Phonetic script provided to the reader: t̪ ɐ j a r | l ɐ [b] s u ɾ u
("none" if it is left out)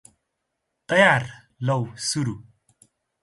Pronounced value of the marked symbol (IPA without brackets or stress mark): w